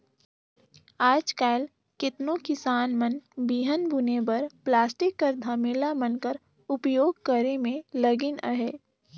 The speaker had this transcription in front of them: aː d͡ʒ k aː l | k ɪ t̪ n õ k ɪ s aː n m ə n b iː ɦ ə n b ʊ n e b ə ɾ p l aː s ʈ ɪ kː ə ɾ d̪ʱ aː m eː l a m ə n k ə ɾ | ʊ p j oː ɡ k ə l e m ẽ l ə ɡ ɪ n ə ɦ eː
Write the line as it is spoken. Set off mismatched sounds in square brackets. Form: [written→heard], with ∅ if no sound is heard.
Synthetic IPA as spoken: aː d͡ʒ k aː l | k ɪ t̪ n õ k ɪ s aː n m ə n b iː ɦ ə n b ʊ n e b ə ɾ p l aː s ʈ ɪ kː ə ɾ d̪ʱ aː m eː l a m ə n k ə ɾ | ʊ p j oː ɡ k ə [l→ɾ] e m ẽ l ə ɡ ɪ n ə ɦ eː